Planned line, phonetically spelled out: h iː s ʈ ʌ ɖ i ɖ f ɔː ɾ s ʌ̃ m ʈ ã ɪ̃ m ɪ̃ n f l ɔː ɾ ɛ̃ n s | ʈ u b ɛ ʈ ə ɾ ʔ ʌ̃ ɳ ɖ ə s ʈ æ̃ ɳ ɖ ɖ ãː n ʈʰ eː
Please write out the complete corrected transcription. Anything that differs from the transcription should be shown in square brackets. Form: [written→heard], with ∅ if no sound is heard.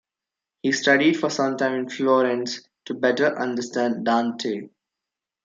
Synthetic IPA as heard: h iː s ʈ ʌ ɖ i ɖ f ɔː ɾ s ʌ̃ m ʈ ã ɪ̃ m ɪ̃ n f l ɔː ɾ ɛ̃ n s | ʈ u b ɛ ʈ ə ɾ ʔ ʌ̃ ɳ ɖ ə s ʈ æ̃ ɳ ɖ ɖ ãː n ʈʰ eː